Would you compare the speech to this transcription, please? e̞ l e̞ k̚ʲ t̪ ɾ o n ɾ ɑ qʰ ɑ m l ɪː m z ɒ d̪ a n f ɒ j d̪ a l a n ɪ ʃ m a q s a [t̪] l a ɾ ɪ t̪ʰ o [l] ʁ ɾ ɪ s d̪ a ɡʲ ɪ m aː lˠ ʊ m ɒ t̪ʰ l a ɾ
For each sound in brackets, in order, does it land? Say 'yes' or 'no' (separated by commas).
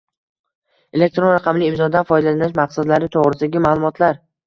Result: no, no